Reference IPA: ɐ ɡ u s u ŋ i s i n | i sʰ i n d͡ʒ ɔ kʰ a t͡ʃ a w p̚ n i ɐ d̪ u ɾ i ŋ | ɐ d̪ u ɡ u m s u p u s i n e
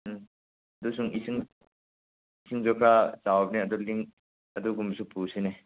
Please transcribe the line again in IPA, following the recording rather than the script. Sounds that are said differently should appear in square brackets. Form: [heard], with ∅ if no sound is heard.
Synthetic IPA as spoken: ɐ [d] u s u ŋ i s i [ŋ] | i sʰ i [ŋ] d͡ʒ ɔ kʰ a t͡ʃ a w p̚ n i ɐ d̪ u [l] i ŋ | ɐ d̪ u ɡ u m s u p u s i n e